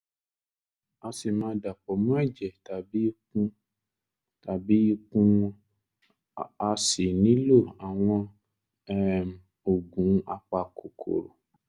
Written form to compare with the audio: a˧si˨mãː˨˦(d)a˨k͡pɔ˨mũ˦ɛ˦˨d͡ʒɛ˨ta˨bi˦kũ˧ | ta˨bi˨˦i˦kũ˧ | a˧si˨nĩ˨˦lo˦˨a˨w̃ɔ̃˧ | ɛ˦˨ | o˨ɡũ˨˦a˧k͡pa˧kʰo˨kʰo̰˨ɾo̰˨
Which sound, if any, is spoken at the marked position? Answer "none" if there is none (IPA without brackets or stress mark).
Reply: d